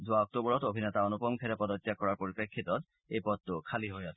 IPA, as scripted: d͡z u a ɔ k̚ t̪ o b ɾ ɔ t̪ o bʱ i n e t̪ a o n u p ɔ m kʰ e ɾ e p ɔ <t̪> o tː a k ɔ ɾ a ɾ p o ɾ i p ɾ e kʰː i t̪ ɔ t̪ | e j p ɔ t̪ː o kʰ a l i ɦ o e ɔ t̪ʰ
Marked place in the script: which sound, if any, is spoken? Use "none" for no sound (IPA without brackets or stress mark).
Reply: d̪